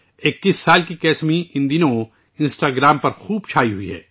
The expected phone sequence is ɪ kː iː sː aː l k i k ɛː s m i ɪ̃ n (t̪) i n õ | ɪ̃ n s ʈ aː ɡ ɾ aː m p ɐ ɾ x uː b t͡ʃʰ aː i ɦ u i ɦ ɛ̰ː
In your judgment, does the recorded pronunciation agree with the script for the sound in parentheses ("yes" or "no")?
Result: no